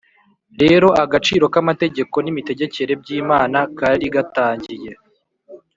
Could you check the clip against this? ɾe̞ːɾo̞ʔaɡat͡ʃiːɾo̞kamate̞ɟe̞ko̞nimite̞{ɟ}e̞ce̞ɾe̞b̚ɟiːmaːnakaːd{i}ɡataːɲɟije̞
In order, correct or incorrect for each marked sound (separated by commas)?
correct, correct